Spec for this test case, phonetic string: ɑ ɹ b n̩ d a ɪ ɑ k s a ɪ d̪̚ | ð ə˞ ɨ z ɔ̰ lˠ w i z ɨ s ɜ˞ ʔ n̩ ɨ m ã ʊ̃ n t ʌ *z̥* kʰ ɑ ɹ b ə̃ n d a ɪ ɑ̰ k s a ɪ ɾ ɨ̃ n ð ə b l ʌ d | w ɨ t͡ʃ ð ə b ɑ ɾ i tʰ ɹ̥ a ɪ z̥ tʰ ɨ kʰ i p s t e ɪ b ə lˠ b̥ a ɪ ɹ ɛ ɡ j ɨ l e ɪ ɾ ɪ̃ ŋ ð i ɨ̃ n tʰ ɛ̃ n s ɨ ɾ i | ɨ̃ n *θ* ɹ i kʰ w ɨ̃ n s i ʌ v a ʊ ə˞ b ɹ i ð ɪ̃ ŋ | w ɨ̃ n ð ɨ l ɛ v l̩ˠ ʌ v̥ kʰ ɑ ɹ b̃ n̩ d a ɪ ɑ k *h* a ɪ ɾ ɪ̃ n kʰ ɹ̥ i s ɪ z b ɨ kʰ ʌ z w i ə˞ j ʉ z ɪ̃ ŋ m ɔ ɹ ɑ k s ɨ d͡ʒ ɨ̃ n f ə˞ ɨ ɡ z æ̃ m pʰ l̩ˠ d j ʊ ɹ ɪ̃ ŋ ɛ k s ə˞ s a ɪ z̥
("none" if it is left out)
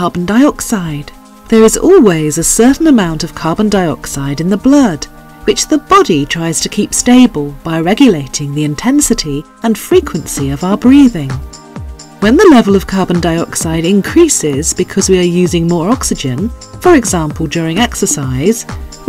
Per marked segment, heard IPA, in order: v̥, f, s

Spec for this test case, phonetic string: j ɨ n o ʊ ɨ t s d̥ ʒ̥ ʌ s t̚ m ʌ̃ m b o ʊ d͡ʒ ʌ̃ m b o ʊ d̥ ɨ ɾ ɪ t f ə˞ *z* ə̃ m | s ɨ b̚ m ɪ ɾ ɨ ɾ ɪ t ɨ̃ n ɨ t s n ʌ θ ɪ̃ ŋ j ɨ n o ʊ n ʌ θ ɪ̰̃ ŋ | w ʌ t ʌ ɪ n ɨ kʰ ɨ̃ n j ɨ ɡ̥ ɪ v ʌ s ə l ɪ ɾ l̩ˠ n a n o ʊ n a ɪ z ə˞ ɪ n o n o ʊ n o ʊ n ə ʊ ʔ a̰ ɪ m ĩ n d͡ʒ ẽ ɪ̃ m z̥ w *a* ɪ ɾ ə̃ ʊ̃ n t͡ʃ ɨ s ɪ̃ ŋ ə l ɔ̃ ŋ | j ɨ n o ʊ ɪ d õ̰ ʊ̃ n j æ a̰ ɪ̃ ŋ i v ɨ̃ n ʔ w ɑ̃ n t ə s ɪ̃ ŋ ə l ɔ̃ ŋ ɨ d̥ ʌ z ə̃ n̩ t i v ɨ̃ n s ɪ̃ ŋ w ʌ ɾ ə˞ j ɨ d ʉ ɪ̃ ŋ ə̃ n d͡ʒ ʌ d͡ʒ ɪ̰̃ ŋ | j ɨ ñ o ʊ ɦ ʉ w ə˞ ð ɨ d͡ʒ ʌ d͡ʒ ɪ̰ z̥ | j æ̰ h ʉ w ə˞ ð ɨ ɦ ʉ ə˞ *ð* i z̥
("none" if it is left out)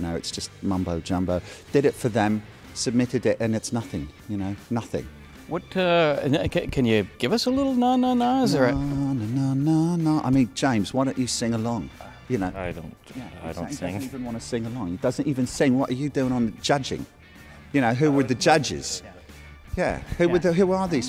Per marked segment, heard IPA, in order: ð, a, ð

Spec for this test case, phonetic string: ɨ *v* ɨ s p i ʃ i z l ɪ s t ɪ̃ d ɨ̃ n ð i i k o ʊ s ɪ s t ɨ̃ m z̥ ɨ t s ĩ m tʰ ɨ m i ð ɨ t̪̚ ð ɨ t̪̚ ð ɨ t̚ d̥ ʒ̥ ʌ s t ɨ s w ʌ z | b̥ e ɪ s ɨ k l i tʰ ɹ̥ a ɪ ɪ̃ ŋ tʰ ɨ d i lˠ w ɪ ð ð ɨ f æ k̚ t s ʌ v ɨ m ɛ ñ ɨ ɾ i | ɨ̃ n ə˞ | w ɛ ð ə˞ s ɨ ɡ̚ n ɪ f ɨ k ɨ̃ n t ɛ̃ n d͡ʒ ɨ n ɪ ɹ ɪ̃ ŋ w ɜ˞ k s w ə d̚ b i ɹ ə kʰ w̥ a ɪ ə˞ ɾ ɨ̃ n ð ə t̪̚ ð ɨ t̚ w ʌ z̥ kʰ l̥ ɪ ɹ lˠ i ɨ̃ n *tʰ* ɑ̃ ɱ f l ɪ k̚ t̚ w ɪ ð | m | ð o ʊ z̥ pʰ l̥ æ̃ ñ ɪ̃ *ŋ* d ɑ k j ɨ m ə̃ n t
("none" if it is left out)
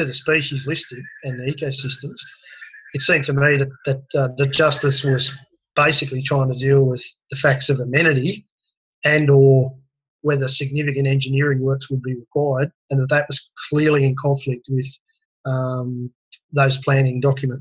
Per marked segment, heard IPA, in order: ð, kʰ, ŋ

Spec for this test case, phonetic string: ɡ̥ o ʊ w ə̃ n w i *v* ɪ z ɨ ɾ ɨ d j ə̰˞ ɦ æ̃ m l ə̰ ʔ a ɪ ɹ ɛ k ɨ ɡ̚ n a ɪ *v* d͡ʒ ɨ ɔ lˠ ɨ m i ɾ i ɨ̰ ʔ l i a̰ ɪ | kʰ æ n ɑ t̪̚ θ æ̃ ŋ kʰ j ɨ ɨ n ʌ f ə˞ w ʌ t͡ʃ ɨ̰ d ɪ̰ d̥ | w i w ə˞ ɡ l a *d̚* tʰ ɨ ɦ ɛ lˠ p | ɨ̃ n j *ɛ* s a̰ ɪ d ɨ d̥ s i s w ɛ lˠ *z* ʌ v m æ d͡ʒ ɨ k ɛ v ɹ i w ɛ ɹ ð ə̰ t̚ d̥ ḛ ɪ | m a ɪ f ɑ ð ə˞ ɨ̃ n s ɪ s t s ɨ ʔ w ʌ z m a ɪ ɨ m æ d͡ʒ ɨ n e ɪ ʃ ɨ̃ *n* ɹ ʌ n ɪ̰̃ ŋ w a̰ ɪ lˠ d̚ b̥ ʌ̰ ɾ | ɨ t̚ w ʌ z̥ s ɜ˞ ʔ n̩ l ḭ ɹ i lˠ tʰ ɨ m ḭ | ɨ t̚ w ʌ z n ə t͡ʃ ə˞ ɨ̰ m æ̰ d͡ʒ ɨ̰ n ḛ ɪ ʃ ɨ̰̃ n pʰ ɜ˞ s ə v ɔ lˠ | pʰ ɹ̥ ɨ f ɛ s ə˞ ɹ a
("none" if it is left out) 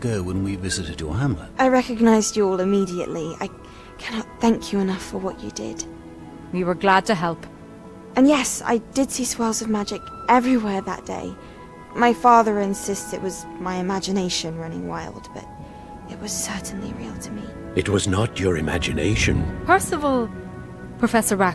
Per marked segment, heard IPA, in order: v, z, d̚, ɛ, z, n

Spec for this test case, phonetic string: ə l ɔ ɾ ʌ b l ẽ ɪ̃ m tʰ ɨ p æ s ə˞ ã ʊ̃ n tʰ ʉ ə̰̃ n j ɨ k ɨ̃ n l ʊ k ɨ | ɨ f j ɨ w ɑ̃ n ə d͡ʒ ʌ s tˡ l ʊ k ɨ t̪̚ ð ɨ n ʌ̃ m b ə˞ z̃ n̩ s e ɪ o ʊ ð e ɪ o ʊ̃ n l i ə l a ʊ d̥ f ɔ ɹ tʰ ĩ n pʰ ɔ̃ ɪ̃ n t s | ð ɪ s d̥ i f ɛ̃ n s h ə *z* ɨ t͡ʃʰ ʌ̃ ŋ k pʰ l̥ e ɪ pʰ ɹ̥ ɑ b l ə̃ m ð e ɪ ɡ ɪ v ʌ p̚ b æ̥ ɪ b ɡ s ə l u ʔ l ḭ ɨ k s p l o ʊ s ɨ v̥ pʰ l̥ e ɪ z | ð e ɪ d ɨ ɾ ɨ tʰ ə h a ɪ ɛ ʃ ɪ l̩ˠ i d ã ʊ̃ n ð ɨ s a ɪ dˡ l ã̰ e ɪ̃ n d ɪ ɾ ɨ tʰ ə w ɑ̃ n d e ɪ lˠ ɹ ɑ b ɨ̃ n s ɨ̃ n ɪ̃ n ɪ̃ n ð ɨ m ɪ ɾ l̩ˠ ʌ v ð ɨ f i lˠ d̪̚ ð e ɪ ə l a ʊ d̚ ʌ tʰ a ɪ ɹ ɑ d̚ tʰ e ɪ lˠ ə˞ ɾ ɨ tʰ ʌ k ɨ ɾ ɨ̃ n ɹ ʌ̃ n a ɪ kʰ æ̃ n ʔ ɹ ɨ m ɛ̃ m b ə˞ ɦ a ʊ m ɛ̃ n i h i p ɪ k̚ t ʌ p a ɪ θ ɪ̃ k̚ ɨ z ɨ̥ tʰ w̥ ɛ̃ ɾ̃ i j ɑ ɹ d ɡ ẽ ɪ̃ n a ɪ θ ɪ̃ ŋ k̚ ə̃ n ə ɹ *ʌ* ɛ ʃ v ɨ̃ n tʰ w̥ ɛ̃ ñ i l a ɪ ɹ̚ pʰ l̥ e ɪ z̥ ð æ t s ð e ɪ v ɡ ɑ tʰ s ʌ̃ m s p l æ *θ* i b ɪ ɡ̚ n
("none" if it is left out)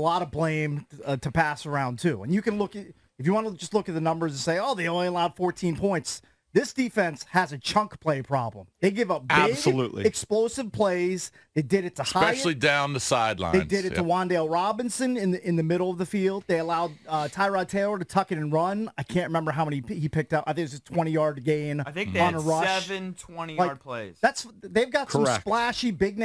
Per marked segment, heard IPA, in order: z, ʌ, ʃ

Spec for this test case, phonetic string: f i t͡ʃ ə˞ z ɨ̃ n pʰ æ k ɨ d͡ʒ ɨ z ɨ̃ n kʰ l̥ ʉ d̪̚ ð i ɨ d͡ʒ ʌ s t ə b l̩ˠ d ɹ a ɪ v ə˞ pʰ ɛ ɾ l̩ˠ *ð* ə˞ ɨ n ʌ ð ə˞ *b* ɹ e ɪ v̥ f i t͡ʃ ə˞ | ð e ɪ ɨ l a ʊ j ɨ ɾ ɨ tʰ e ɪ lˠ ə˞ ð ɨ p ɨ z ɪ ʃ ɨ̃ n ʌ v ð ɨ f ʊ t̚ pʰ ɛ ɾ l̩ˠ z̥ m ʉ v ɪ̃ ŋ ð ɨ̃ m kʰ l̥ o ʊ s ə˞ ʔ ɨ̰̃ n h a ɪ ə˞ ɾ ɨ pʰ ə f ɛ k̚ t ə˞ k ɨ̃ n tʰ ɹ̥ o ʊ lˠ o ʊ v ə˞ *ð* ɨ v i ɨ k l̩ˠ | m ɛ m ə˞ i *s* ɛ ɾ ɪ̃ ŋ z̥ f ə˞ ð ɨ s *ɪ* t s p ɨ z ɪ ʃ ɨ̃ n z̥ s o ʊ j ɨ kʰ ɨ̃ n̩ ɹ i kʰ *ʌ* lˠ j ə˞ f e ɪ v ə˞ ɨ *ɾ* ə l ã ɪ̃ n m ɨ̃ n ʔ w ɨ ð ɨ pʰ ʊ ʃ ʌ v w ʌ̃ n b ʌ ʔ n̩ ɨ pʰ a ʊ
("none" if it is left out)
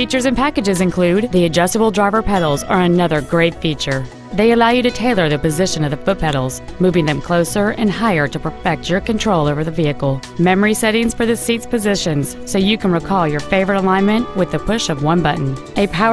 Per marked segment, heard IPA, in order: z, ɡ, ð, s, i, ɔ, ɾ

